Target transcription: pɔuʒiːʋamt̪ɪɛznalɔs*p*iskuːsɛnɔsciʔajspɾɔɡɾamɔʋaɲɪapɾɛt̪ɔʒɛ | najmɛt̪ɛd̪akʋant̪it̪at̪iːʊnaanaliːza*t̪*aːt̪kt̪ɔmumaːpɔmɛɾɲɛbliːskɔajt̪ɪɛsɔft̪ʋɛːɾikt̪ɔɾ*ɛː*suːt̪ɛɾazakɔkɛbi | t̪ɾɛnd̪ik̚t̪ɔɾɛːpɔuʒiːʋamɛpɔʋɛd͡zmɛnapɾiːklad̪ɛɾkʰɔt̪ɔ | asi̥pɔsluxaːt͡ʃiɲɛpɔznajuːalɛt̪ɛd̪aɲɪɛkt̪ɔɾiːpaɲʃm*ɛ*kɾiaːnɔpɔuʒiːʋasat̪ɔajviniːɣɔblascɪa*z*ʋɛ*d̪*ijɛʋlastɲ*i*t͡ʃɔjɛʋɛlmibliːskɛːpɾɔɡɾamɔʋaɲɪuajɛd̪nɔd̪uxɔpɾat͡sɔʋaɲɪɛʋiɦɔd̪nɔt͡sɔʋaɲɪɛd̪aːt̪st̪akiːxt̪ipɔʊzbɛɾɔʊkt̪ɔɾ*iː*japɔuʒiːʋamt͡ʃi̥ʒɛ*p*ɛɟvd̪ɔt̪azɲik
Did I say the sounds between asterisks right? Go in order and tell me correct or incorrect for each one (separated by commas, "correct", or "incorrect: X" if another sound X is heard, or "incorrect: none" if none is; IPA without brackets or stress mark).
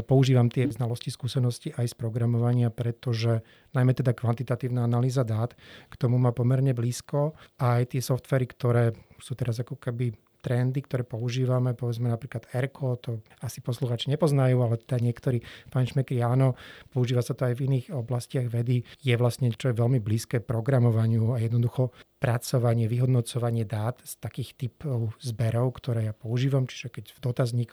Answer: incorrect: c, incorrect: d̪, correct, correct, incorrect: ɣ, correct, incorrect: ɛ, incorrect: ɛː, incorrect: k